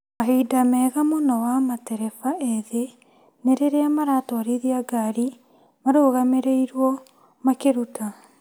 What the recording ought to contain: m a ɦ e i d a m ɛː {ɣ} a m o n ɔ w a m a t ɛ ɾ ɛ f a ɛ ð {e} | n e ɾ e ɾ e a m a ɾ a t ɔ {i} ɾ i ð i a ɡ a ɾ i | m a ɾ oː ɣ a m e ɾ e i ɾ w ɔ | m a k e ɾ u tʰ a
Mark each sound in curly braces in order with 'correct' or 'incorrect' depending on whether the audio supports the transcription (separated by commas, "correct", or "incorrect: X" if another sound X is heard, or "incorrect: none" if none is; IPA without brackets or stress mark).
correct, correct, incorrect: a